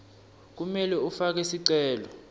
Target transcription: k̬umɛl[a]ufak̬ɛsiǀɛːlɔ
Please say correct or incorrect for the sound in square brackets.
incorrect